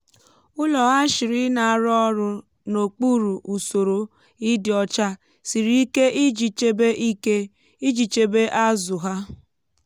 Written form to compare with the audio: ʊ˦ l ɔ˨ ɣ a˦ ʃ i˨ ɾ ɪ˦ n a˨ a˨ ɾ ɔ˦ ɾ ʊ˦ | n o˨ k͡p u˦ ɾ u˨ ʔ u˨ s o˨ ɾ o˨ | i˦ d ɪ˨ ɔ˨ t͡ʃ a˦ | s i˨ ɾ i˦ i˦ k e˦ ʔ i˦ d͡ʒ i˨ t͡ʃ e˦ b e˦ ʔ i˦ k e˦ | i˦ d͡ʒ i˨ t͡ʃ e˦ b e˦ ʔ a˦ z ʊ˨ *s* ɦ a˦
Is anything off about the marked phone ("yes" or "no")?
yes